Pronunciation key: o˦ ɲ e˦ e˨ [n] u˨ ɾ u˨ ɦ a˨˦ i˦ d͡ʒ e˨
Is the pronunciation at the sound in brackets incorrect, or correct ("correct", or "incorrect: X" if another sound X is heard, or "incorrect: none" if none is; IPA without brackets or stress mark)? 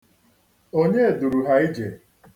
incorrect: d